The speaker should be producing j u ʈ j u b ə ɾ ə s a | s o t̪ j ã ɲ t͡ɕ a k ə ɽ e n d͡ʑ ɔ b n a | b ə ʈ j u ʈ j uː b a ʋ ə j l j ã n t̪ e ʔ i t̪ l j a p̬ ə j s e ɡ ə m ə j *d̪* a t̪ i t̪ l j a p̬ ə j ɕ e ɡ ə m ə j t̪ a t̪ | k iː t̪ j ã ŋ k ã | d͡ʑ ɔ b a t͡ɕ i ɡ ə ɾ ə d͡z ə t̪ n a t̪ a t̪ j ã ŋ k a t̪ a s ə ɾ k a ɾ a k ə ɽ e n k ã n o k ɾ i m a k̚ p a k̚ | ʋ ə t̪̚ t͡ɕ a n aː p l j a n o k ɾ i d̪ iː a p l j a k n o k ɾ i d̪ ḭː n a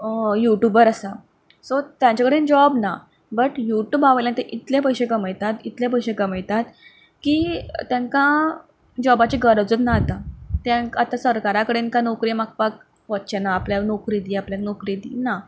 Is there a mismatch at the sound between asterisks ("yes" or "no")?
yes